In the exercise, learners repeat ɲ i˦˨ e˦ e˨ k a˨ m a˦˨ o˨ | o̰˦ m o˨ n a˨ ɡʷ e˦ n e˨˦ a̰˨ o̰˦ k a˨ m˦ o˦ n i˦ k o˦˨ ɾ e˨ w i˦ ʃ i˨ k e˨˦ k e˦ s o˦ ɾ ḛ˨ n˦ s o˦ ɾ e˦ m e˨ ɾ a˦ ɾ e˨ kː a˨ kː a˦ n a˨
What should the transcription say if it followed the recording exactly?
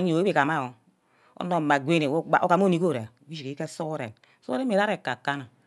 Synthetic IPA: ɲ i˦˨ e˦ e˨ k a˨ m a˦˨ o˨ | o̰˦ n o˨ m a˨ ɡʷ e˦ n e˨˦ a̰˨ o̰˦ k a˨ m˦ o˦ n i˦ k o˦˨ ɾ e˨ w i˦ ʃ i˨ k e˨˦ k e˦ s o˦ ɾ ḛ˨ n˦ s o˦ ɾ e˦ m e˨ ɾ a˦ ɾ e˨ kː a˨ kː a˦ n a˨